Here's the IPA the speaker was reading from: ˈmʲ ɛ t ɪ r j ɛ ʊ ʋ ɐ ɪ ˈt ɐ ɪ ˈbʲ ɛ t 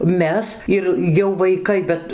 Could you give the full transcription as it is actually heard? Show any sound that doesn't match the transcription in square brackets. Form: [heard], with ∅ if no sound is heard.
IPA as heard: ˈmʲ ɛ [s] ɪ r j ɛ ʊ ʋ ɐ ɪ [ˈk] ɐ ɪ ˈbʲ ɛ t